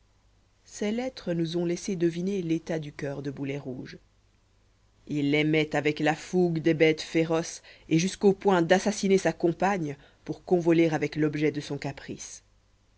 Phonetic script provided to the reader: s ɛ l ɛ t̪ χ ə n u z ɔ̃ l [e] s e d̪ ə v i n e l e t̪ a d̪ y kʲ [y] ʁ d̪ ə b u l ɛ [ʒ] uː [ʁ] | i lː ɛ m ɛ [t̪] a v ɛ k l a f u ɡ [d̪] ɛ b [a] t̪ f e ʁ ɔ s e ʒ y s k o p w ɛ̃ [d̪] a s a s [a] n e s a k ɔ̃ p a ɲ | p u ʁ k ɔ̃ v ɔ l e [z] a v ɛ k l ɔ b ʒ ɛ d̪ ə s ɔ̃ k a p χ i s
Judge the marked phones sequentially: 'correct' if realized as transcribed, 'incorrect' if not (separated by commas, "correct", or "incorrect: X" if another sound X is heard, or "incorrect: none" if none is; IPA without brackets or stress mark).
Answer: incorrect: ɛ, incorrect: œ, incorrect: ʁ, incorrect: ʒ, correct, correct, incorrect: ɛ, correct, incorrect: i, incorrect: ʁ